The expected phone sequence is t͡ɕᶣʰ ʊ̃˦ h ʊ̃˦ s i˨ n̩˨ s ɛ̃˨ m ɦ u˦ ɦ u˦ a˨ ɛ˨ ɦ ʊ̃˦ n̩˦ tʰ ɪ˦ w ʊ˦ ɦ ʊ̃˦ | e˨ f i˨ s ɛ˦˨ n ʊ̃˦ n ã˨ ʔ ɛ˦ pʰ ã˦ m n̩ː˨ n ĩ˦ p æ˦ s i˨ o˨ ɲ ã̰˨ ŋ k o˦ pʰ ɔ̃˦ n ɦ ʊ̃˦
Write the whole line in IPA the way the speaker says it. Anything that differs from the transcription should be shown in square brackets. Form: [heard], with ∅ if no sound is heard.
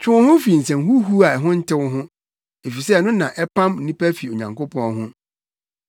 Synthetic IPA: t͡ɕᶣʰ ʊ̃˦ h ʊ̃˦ [f] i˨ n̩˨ s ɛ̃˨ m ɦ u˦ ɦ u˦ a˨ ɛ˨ ɦ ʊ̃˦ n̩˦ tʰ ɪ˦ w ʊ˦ ɦ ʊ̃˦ | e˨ f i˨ s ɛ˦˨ n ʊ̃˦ n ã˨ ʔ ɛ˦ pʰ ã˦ m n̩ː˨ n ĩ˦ p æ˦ [f] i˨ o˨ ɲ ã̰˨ ŋ k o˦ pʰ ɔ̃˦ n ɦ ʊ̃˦